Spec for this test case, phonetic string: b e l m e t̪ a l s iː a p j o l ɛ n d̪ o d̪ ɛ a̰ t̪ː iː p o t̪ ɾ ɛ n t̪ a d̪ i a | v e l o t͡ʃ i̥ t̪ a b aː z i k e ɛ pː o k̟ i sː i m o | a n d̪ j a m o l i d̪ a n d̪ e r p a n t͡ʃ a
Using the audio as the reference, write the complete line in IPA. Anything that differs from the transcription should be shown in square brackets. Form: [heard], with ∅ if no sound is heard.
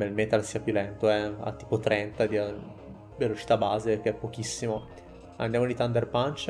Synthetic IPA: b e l m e t̪ a l s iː a p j [u] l ɛ n [t̪] o [∅] ɛ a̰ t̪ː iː p o t̪ ɾ ɛ n t̪ a d̪ i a | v e l o t͡ʃ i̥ t̪ a b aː z [e] k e ɛ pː o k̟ i sː i m o | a n d̪ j a m o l i [t̪] a n d̪ e r p a n t͡ʃ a